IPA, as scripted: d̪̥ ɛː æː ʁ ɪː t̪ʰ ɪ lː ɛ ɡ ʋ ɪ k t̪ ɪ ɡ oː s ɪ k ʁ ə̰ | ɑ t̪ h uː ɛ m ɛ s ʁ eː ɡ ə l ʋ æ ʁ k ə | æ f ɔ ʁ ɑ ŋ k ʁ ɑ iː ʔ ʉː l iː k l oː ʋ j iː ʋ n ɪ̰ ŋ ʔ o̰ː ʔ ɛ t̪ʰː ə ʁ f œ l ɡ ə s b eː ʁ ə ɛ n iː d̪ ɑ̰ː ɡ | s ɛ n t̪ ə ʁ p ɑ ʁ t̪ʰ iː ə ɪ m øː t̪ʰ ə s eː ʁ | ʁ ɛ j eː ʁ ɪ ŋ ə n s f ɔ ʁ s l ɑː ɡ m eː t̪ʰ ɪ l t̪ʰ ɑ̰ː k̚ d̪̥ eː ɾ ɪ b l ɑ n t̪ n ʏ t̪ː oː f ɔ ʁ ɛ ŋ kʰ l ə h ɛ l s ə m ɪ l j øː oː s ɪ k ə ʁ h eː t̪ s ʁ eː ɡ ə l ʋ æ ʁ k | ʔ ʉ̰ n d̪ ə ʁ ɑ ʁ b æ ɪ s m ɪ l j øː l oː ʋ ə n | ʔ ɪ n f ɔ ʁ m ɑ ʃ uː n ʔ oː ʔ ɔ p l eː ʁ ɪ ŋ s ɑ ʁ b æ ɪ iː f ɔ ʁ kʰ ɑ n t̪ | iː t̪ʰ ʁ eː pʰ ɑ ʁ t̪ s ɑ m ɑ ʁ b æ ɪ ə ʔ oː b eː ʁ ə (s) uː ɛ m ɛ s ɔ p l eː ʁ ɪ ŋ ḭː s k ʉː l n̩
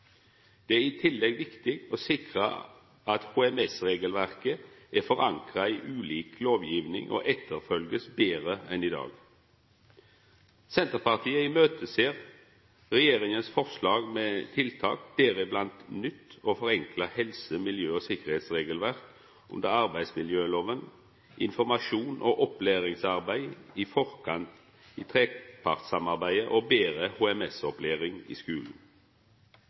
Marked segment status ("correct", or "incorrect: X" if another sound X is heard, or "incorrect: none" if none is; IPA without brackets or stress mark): incorrect: h